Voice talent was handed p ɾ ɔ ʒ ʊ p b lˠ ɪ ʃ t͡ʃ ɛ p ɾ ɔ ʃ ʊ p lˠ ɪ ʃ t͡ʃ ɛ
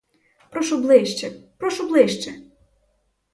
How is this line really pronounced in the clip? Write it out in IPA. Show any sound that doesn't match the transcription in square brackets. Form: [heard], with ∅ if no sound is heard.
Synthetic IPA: p ɾ ɔ [ʃ] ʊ [∅] b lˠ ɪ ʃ t͡ʃ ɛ p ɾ ɔ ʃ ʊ [b] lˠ ɪ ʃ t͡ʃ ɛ